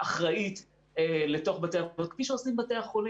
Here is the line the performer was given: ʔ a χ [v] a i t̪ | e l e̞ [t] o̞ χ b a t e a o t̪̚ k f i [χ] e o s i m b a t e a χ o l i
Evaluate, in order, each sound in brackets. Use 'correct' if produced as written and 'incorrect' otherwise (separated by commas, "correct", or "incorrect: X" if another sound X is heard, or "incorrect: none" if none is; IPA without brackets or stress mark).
incorrect: ʁ, correct, incorrect: ʃ